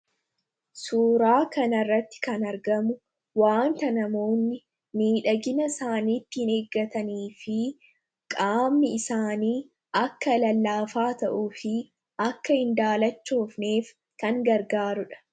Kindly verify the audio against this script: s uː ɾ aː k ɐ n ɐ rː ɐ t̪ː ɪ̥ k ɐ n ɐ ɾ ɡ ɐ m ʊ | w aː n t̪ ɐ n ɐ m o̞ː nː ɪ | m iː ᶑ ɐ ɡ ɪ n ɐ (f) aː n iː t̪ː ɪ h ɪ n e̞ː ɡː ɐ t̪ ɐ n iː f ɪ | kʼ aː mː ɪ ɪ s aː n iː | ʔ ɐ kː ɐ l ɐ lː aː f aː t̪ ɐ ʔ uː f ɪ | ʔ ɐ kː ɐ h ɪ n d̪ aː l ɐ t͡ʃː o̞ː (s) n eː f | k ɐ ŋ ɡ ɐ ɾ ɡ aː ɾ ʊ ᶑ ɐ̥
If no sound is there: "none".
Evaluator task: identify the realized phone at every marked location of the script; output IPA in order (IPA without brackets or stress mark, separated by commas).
s, f